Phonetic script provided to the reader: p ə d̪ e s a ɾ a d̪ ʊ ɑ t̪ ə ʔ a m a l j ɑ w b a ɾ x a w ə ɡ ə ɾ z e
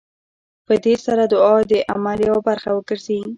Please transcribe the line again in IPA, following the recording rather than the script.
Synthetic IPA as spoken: p ə d̪ e s a ɾ a d̪ ʊ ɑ d̪ ə ʔ a m a l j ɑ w b a ɾ x a w ə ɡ ə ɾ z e